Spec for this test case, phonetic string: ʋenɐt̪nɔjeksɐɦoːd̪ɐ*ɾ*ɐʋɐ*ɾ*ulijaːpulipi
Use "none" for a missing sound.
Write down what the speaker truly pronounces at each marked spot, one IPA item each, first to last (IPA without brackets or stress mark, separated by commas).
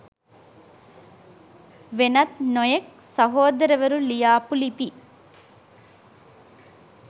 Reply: ɾ, ɾ